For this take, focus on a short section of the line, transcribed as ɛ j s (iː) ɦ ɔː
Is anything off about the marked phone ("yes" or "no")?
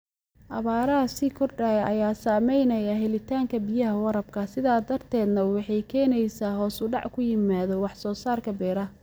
yes